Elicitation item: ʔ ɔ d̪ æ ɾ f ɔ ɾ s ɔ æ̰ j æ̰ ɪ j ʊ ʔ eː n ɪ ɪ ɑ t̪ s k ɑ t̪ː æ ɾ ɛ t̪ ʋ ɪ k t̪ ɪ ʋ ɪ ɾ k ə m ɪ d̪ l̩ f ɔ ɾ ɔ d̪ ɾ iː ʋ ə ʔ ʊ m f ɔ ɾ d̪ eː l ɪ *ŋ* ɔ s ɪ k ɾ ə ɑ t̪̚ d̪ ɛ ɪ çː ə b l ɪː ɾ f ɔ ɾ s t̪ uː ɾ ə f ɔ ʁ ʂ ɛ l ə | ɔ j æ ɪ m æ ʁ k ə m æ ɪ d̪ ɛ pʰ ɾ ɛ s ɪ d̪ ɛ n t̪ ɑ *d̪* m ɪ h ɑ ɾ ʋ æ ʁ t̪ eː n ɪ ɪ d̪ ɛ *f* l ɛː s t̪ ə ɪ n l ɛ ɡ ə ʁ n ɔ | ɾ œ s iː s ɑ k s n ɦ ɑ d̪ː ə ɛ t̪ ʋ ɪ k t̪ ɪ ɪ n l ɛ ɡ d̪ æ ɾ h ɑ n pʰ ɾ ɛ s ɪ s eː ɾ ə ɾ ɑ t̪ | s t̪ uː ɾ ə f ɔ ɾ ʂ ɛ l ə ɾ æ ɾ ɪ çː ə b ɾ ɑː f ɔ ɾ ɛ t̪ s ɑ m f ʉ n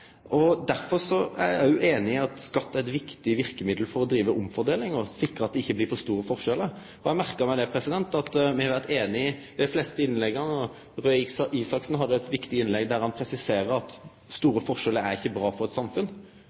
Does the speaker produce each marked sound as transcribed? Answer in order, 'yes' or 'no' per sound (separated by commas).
yes, no, yes